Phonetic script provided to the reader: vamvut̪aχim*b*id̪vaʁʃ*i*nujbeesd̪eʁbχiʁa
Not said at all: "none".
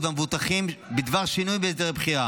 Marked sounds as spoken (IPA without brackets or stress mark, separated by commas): b, i